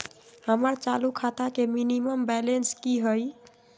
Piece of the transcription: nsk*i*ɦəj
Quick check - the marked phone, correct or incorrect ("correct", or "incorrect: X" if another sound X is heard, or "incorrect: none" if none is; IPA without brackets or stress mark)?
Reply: correct